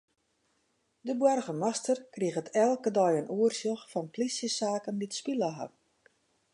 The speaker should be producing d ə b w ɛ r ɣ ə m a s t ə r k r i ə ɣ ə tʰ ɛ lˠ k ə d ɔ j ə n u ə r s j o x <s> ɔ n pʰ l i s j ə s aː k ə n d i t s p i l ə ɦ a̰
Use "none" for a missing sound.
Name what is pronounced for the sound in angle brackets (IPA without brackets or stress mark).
f